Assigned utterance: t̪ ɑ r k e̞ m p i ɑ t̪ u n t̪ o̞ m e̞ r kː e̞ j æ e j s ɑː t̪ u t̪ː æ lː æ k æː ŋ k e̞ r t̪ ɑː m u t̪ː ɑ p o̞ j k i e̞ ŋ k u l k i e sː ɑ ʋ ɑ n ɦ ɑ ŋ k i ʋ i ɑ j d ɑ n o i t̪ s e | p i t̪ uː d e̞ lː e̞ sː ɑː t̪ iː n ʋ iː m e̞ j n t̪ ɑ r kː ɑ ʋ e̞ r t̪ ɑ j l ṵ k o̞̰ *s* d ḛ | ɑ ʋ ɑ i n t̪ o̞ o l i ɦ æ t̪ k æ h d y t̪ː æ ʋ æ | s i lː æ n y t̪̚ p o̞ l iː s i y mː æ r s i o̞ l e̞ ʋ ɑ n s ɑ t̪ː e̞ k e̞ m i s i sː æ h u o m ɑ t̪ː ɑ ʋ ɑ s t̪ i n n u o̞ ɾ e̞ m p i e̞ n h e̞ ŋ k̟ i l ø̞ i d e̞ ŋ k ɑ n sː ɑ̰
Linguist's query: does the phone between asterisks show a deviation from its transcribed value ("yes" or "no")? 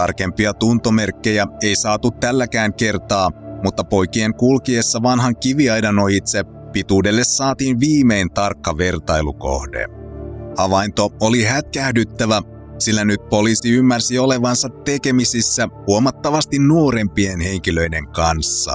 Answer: yes